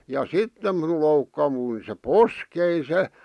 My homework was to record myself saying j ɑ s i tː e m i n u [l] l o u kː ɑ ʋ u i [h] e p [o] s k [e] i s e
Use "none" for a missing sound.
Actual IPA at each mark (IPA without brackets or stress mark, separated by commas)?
l, s, o, e